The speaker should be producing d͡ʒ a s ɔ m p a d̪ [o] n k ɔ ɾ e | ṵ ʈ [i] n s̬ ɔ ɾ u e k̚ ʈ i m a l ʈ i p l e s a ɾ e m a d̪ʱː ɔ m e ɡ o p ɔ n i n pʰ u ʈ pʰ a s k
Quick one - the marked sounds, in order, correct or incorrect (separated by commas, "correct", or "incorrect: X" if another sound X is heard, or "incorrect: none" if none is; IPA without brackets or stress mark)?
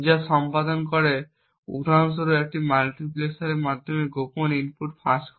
incorrect: ɔ, incorrect: a